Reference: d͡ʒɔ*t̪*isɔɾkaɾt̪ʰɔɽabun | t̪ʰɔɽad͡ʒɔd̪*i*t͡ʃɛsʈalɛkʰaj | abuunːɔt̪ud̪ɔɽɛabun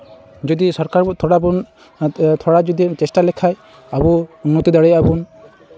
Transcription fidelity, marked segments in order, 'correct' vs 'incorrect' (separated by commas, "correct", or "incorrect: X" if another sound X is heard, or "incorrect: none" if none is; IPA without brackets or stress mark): incorrect: d̪, correct